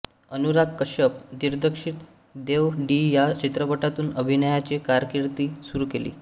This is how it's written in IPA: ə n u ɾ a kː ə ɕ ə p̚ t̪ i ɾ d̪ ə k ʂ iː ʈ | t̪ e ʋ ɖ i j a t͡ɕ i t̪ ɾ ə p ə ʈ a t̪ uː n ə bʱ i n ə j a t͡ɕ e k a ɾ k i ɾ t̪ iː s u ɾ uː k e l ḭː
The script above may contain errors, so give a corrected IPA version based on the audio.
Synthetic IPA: ə n u ɾ a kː ə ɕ ə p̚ d̪ i ɾ d̪ ə k ʂ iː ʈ | d̪ e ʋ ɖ i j a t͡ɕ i t̪ ɾ ə p ə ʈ a t̪ uː n ə bʱ i n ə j a t͡ɕ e k a ɾ k i ɾ t̪ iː s u ɾ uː k e l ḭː